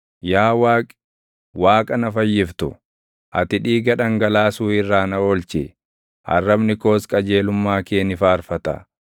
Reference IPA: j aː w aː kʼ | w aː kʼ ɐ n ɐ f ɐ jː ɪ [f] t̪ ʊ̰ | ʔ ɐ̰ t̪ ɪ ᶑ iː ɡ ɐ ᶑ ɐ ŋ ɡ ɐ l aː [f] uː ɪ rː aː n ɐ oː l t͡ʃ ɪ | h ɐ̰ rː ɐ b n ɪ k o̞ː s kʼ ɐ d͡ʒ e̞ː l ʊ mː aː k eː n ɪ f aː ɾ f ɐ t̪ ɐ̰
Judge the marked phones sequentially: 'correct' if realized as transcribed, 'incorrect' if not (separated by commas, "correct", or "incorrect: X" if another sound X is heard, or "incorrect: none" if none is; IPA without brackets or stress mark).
correct, incorrect: s